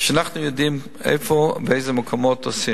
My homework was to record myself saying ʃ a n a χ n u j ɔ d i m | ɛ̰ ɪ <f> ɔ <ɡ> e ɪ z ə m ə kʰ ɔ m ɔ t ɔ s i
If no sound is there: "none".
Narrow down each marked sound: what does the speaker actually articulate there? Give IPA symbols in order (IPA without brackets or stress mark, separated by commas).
f, b